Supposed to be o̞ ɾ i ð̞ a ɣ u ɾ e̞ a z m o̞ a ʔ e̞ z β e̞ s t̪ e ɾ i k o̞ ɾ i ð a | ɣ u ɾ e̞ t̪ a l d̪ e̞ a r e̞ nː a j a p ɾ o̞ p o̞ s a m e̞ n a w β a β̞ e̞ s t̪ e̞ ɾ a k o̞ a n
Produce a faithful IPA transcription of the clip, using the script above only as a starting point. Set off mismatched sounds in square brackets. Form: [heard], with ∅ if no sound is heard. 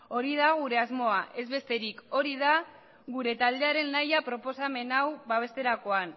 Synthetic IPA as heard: o̞ ɾ i ð̞ a ɣ u ɾ e̞ a z m o̞ a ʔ e̞ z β e̞ s t̪ e ɾ i k o̞ ɾ i ð a | ɣ u ɾ e̞ t̪ a l d̪ e̞ a [ɾ] e̞ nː a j a p ɾ o̞ p o̞ s a m e̞ n a w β a β̞ e̞ s t̪ e̞ ɾ a k o̞ a n